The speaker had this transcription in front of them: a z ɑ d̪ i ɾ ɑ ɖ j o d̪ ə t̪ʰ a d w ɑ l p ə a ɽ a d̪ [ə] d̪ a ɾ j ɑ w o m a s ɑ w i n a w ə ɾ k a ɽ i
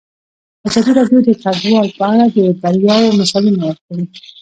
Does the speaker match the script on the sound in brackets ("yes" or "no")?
yes